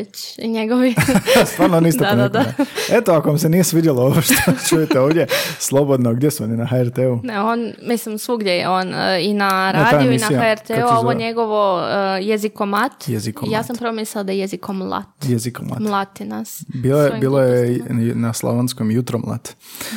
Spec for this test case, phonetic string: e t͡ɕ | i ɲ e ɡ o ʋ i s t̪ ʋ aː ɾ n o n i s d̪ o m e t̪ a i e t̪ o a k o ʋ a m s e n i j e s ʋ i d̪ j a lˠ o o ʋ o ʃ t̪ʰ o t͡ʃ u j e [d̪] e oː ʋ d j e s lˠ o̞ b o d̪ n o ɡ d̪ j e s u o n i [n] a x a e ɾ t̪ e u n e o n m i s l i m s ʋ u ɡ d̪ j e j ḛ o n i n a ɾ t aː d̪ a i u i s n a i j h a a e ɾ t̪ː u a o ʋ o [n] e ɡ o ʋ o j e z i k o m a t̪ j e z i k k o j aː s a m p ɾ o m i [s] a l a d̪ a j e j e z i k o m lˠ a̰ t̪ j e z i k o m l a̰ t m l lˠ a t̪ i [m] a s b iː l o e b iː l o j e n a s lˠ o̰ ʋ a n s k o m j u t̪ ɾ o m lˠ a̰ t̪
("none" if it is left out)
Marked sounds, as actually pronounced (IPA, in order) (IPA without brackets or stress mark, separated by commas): t̪, n, ɲ, s, n